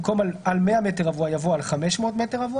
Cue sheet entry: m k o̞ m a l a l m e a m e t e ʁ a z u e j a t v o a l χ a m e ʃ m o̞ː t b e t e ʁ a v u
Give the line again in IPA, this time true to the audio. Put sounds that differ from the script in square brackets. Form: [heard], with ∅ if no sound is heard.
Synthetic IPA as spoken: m k o̞ m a l a l m e a m e t e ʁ a [v] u [a] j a [∅] v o a l χ a m e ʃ m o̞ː t [m] e t e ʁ a v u